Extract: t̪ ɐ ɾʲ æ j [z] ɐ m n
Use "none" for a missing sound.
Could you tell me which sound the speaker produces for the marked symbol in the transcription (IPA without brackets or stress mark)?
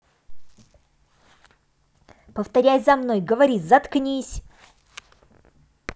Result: z